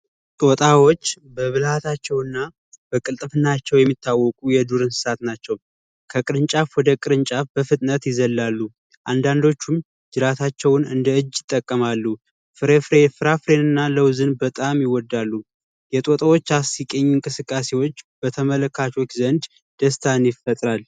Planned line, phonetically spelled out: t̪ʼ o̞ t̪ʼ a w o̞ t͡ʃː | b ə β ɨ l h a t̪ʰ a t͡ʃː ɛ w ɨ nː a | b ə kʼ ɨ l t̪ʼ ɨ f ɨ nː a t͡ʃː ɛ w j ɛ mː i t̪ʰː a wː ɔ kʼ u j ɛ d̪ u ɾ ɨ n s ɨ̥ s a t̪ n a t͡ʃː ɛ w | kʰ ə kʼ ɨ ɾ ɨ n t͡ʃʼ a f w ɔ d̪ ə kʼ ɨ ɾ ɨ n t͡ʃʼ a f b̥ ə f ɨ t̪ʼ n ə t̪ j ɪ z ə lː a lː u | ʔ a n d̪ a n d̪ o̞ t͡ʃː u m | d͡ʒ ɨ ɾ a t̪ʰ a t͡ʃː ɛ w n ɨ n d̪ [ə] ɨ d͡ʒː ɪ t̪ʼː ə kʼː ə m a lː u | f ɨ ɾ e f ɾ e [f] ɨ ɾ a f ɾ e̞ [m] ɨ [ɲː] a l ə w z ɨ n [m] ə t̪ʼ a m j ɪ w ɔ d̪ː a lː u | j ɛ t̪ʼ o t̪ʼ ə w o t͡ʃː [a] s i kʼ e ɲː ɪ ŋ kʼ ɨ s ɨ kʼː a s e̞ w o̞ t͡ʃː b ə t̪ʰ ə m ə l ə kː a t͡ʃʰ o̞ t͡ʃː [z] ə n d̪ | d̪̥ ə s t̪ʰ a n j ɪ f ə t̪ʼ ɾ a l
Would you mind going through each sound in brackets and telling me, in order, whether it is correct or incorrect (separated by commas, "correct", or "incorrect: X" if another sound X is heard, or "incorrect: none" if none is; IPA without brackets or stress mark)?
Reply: correct, correct, incorrect: n, incorrect: nː, incorrect: b, correct, correct